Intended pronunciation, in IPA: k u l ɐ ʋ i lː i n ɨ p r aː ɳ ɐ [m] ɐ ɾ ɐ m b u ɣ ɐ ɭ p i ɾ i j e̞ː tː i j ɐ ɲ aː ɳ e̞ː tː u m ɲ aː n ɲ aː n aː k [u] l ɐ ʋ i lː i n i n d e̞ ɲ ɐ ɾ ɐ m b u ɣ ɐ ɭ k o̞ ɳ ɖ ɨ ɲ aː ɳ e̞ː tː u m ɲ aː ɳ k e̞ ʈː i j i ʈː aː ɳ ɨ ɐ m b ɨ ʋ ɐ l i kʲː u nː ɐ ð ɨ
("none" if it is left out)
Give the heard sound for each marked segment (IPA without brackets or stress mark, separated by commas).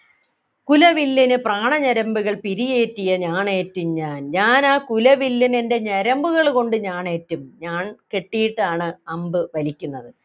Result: ɲ, u